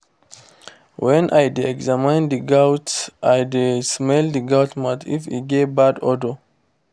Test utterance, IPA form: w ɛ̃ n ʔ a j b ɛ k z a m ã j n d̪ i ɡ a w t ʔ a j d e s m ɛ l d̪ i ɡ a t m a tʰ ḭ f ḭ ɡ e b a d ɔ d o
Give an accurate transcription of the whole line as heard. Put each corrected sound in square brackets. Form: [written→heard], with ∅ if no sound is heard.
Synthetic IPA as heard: w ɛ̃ n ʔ a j [b→d] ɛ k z a m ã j n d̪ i ɡ a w t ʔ a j d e s m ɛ l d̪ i ɡ a t m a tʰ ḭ f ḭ ɡ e b a d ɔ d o